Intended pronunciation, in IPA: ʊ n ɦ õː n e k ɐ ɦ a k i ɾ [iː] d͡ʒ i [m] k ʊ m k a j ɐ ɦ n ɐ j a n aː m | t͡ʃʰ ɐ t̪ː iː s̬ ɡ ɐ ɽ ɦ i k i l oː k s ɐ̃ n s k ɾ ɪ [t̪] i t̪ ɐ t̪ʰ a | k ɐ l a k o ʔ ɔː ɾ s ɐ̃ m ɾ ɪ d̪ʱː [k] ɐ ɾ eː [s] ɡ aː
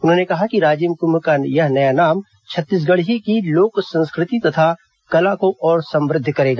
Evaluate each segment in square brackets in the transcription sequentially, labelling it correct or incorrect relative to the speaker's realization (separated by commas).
incorrect, correct, correct, correct, incorrect